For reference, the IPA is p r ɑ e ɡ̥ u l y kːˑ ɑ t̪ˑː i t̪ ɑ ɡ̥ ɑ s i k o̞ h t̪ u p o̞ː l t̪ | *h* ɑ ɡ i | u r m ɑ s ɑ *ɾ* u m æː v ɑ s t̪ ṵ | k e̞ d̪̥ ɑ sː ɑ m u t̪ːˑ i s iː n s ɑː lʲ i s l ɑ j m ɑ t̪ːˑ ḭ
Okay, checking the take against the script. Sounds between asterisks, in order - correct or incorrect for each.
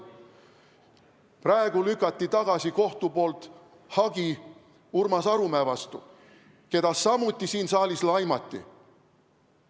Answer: correct, correct

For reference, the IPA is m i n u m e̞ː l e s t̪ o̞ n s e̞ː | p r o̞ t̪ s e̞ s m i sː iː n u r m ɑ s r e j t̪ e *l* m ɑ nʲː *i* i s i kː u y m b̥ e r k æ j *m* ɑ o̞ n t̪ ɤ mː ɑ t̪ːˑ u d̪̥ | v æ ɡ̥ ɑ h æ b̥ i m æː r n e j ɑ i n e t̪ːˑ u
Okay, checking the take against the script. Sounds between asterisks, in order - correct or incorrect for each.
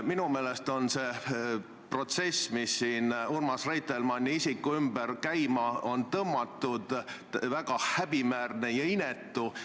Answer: correct, correct, correct

